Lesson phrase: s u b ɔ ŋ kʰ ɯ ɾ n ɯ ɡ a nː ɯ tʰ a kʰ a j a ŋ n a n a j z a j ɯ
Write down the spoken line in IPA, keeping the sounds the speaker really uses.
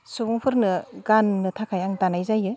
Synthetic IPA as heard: s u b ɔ ŋ pʰ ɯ ɾ n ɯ ɡ a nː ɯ tʰ a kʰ a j a ŋ d a n a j z a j ɯ